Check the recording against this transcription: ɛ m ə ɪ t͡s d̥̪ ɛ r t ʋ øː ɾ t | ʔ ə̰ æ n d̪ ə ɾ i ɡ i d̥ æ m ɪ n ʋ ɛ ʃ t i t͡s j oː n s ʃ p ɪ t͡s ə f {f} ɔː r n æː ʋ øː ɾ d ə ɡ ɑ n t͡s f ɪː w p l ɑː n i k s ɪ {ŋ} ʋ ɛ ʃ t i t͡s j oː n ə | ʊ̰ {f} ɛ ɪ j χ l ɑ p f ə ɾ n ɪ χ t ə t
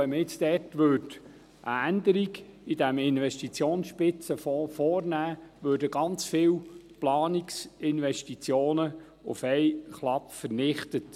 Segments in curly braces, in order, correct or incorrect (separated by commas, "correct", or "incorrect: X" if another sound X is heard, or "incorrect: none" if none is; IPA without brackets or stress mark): correct, incorrect: n, correct